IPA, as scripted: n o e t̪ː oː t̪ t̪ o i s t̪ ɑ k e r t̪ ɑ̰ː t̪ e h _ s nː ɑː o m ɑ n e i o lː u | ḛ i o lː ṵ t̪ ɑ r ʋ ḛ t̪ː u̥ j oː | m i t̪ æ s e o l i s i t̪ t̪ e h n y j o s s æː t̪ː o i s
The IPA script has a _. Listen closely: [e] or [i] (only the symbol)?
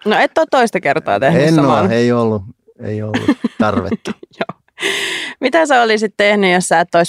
e